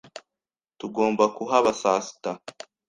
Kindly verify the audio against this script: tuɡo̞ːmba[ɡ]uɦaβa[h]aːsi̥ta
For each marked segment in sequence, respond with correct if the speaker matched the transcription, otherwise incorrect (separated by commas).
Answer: incorrect, incorrect